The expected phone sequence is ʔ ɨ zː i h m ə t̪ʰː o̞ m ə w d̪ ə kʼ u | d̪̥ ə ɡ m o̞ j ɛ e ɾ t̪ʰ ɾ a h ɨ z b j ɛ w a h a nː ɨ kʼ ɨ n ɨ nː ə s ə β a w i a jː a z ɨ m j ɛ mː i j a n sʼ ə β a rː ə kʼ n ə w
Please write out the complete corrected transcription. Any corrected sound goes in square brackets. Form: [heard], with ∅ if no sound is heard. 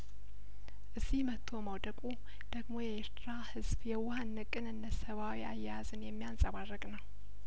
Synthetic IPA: ʔ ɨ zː i h m ə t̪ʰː o̞ m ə w d̪ ə kʼ u | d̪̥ ə ɡ m o̞ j ɛ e ɾ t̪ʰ ɾ a h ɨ z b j ɛ w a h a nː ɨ kʼ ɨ n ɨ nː ə s ə β a w i a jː a z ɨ [n] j ɛ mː i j a n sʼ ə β a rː ə kʼ n ə w